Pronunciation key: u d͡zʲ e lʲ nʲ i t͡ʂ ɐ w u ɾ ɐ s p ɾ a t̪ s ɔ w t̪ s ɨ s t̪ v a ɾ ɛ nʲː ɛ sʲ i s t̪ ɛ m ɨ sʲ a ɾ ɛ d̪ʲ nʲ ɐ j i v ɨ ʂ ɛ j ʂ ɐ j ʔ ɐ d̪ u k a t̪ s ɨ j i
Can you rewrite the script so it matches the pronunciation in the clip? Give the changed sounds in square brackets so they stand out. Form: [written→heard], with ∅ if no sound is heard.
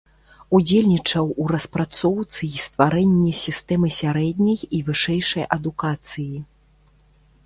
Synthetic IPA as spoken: u d͡zʲ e lʲ nʲ i t͡ʂ ɐ w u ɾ ɐ s p ɾ a t̪ s ɔ w t̪ s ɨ s t̪ v a ɾ ɛ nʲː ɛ sʲ i s t̪ ɛ m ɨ sʲ a ɾ ɛ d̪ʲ nʲ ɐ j i v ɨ ʂ ɛ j ʂ ɐ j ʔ ɐ d̪ u k a t̪ s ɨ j i